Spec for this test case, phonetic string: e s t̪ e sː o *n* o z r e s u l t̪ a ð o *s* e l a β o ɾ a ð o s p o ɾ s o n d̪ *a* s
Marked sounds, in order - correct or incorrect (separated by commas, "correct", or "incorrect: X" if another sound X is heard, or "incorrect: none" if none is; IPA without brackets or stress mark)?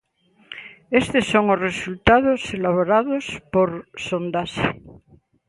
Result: incorrect: ŋ, correct, correct